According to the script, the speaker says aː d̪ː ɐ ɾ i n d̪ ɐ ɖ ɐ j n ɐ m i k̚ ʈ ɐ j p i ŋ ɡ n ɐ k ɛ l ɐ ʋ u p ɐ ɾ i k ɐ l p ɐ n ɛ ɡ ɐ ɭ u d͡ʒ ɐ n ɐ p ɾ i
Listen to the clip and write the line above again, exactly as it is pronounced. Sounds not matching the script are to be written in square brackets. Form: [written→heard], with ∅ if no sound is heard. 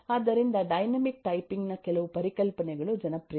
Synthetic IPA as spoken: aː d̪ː ɐ ɾ i n d̪ ɐ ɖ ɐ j n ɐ m i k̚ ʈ ɐ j p i ŋ ɡ n ɐ k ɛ l ɐ ʋ u p ɐ ɾ i k ɐ l p ɐ n ɛ ɡ ɐ ɭ u d͡ʒ ɐ n ɐ p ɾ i

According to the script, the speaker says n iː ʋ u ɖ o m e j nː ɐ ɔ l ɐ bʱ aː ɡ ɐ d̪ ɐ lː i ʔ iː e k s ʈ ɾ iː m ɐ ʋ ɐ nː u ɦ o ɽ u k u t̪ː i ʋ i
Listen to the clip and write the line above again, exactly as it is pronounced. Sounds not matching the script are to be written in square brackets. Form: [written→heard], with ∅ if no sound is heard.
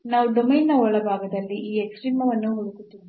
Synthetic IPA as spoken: n [iː→aː] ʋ u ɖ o m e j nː ɐ ɔ [l→ɭ] ɐ bʱ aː ɡ ɐ d̪ ɐ lː i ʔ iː e k s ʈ ɾ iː m ɐ ʋ ɐ nː u ɦ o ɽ u k u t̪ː i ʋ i

